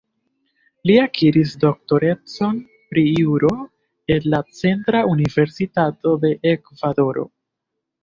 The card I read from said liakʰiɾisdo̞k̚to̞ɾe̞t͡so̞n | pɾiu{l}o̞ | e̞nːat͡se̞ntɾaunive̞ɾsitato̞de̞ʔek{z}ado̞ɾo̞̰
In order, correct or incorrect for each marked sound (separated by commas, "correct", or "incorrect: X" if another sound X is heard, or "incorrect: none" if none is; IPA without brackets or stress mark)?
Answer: incorrect: ɾ, incorrect: v